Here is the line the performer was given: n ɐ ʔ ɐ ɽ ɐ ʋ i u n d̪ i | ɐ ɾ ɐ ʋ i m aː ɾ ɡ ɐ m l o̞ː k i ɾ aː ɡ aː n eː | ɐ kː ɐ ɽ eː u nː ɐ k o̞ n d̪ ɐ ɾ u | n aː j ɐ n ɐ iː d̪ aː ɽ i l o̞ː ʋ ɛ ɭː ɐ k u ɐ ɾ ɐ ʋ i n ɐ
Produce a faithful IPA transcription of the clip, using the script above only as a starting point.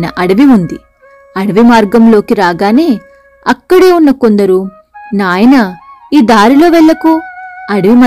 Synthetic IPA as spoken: n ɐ ʔ ɐ ɽ ɐ ʋ i u n d̪ i | ɐ ɽ ɐ ʋ i m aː ɾ ɡ ɐ m l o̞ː k i ɾ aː ɡ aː n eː | ɐ kː ɐ ɽ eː u nː ɐ k o̞ n d̪ ɐ ɾ u | n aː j ɐ n ɐ iː d̪ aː ɾ i l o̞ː ʋ ɛ ɭː ɐ k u ɐ ɽ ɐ ʋ i m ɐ